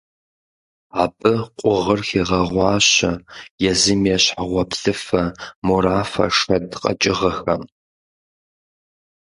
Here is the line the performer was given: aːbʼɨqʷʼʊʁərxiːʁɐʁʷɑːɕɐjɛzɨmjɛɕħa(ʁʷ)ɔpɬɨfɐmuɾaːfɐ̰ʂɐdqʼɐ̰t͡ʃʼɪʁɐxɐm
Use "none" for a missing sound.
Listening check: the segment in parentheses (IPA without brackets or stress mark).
ʁʷ